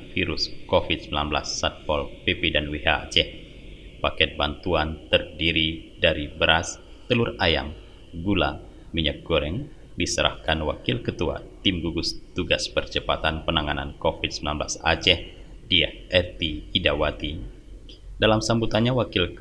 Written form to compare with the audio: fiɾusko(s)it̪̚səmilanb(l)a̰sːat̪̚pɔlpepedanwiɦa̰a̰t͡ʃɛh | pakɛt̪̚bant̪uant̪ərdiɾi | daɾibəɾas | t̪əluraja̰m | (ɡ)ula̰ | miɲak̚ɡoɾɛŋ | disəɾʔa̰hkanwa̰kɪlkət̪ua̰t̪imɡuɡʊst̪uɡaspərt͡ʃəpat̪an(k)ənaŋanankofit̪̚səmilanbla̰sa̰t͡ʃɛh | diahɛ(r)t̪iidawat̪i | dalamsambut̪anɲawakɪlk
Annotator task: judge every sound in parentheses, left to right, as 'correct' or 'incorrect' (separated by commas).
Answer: incorrect, correct, correct, incorrect, correct